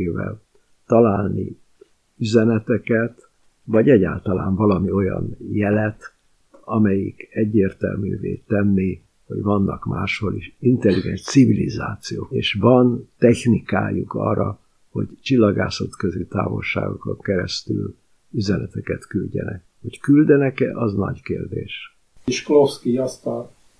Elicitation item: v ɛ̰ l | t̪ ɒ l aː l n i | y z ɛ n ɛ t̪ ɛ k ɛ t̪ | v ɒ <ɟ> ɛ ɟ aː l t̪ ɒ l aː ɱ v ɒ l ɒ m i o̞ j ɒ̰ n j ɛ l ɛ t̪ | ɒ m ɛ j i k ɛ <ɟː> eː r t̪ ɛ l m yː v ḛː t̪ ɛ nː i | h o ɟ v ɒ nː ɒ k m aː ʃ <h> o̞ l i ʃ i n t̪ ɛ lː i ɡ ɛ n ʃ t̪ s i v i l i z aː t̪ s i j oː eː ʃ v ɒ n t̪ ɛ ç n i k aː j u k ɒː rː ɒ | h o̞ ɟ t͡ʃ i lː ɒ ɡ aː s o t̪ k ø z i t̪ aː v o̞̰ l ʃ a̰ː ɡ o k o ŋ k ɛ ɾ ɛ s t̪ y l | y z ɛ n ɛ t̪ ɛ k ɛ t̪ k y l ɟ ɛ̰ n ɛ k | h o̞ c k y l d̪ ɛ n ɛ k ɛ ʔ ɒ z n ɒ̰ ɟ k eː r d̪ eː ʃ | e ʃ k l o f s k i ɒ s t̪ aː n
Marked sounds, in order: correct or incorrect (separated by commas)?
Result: correct, correct, correct